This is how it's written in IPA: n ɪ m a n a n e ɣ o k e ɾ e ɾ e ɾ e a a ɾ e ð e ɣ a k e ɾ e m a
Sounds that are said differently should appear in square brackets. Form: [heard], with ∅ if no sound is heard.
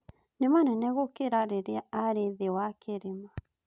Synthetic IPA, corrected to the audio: n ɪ m a n [ɛ] n [ɛ] ɣ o k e ɾ [a] ɾ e ɾ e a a ɾ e ð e [w] a k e ɾ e m a